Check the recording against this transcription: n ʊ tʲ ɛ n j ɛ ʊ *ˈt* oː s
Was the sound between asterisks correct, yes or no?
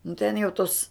yes